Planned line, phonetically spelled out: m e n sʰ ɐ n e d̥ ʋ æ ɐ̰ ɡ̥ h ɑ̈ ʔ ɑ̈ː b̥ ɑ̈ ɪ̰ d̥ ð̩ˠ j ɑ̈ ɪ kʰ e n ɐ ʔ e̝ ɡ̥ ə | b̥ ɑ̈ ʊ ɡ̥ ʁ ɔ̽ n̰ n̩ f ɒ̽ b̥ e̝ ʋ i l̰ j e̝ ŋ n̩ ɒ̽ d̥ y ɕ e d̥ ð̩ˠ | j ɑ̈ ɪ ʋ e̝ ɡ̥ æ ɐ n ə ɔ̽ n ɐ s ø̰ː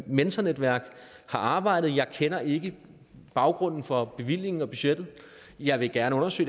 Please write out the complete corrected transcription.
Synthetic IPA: m e n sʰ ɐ n e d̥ ʋ æ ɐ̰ ɡ̥ h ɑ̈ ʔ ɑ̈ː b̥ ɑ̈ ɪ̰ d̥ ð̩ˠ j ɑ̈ ɪ kʰ e n ɐ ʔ e̝ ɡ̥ ə | b̥ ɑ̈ ʊ ɡ̥ ʁ ɔ̽ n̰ n̩ f ɒ̽ b̥ e̝ ʋ i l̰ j e̝ ŋ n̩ ɒ̽ b̥ y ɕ e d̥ ð̩ˠ | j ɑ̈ ɪ ʋ e̝ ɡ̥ æ ɐ n ə ɔ̽ n ɐ s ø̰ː

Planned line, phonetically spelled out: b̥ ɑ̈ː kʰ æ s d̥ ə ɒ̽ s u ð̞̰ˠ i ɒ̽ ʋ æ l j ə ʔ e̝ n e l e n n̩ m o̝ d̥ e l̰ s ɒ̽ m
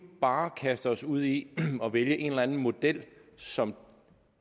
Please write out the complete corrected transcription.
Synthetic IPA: b̥ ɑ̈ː kʰ æ s d̥ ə ɒ̽ s u ð̞̰ˠ i ɒ̽ ʋ e l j ə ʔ e̝ n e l æ n n̩ m o̝ d̥ e l̰ s ɒ̽ m

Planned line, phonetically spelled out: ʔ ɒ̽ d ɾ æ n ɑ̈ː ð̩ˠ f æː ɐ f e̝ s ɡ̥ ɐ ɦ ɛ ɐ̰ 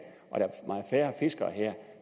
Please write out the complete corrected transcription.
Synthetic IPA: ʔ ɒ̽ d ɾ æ m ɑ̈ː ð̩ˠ f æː ɐ f e̝ s ɡ̥ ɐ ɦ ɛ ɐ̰

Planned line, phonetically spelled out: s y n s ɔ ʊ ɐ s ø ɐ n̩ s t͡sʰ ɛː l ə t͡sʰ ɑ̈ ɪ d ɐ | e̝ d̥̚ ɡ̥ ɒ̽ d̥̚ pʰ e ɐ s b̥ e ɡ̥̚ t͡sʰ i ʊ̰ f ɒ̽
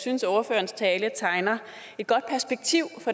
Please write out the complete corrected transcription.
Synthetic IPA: s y n s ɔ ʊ ɐ f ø ɐ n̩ s t͡sʰ ɛː l ə t͡sʰ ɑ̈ ɪ n ɐ | e̝ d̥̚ ɡ̥ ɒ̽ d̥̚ pʰ æ ɐ s b̥ e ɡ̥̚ t͡sʰ i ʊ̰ f ɒ̽

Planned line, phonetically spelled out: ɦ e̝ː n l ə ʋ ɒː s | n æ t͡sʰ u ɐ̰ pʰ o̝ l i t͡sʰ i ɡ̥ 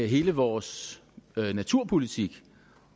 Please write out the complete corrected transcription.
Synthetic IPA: ɦ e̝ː l ə ʋ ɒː s | n æ t͡sʰ u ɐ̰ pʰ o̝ l i t͡sʰ i ɡ̥

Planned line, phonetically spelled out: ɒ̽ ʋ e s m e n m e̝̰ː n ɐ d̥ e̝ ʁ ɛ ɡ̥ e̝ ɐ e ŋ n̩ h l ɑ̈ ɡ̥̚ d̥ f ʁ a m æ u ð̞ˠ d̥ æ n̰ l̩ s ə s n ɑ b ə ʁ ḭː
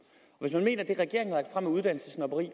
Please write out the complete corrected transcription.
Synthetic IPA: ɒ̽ ʋ e s m æ n m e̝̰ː n ɐ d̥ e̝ ʁ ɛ ɡ̥ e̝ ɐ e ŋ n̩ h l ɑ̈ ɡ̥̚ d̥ f ʁ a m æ u ð̞ˠ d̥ æ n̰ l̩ s ə s n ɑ b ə ʁ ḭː

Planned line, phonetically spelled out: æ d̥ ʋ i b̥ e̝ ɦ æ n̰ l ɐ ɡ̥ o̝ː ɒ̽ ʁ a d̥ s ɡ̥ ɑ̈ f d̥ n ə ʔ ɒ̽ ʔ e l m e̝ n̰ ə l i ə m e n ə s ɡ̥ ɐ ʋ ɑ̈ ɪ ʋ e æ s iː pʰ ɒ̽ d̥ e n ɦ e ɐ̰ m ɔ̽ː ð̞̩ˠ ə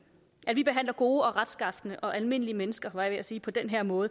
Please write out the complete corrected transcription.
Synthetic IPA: æ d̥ ʋ i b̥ e̝ ɦ æ n̰ l ɐ ɡ̥ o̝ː ɒ̽ ʁ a d̥ s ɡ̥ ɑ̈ f d̥ n ə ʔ ɒ̽ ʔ æ l m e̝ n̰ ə l i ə m e n ə s ɡ̥ ɐ ʋ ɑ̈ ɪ ʋ e æ s iː pʰ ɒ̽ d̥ e n ɦ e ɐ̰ m ɔ̽ː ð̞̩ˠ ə

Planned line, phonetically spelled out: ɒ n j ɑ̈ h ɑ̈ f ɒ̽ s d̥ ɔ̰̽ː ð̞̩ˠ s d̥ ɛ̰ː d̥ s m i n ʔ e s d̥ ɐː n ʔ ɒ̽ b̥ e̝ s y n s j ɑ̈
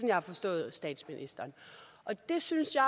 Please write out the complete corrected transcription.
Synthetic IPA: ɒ n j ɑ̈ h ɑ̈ f ɒ̽ s d̥ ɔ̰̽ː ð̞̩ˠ s d̥ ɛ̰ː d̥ s m i n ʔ i s d̥ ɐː n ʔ ɒ̽ d̥ e̝ s y n s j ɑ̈

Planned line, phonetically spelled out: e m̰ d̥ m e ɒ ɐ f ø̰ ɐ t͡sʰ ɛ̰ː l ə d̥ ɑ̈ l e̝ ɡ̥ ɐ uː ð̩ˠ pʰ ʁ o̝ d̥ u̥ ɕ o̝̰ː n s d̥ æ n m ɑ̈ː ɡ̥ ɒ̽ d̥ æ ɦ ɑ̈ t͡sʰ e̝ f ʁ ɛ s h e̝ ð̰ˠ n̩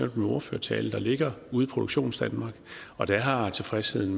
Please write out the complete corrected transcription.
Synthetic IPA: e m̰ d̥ m e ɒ ɐ f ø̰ ɐ t͡sʰ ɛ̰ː l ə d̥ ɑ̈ l e̝ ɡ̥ ɐ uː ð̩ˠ pʰ ʁ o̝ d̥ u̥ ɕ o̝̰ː n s d̥ æ n m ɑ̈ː ɡ̥ ɒ̽ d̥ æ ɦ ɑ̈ t͡sʰ e̝ f ʁ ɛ s h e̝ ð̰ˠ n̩

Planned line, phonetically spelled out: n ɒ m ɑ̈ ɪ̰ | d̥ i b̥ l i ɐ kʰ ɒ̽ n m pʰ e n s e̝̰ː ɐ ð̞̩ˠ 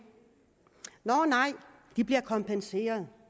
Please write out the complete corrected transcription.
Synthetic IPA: n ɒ n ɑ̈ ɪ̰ | d̥ i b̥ l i ɐ kʰ ɒ̽ m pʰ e n s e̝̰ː ɐ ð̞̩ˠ

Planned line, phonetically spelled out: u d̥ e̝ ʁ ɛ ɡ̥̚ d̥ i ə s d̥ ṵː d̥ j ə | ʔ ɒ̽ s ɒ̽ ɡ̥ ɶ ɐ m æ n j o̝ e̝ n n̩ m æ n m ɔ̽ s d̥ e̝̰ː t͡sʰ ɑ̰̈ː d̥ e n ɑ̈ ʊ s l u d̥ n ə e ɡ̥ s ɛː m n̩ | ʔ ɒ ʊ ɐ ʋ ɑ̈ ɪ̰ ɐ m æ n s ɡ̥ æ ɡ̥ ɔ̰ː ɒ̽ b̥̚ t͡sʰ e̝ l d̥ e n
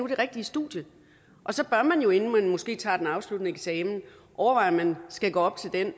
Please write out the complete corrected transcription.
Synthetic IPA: u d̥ e̝ ʁ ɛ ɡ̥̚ d̥ i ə s d̥ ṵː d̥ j ə | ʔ ɒ̽ s ɒ̽ b̥ ɶ ɐ m æ n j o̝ e̝ n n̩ m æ n m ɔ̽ s ɡ̥ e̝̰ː t͡sʰ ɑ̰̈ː d̥ e n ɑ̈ ʊ s l u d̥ n ə e ɡ̥ s ɛː m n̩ | ʔ ɒ ʊ ɐ ʋ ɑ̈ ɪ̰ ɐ m æ n s ɡ̥ æ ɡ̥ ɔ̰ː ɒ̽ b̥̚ t͡sʰ e̝ l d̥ e n

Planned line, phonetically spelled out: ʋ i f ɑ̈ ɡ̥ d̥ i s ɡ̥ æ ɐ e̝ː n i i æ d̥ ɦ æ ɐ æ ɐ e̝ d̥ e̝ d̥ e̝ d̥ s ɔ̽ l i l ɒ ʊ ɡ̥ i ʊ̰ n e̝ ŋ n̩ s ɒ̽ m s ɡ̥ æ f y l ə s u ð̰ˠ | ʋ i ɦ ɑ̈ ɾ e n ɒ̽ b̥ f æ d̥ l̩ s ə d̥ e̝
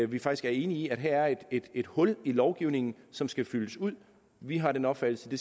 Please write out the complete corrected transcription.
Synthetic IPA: ʋ i f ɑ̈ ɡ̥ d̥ i s ɡ̥ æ ɐ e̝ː n i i æ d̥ ɦ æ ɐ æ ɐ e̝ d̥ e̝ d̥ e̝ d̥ h ɔ̽ l i l ɒ ʊ ɡ̥ i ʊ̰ n e̝ ŋ n̩ s ɒ̽ m s ɡ̥ æ f y l ə s u ð̰ˠ | ʋ i ɦ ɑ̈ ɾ e n ɒ̽ b̥ f æ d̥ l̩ s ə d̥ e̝

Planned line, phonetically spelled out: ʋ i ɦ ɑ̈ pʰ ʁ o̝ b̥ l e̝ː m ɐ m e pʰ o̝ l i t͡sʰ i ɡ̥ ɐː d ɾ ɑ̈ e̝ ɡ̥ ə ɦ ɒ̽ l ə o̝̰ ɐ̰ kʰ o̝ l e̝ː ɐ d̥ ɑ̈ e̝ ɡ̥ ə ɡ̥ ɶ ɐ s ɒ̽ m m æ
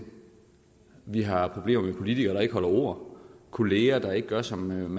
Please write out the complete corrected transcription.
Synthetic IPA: ʋ i ɦ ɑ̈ pʰ ʁ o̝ b̥ l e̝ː m ɐ m e pʰ o̝ l i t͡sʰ i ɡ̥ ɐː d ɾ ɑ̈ e̝ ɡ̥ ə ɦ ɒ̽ l ɐ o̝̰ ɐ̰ kʰ o̝ l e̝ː ɐ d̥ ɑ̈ e̝ ɡ̥ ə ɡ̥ ɶ ɐ s ɒ̽ m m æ

